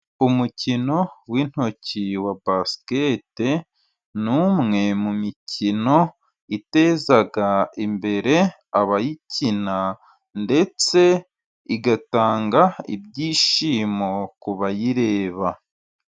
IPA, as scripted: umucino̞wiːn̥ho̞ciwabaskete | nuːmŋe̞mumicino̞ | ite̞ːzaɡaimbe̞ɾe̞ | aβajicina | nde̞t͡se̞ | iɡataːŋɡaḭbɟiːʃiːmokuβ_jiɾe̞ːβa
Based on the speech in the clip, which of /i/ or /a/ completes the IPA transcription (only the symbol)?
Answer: a